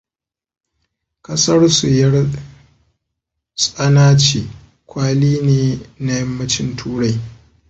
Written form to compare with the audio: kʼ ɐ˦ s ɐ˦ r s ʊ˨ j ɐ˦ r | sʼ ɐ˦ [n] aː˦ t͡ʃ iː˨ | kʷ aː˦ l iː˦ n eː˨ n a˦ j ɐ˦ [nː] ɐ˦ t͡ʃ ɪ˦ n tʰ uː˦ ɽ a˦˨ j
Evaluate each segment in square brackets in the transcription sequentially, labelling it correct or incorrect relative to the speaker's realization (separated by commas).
correct, incorrect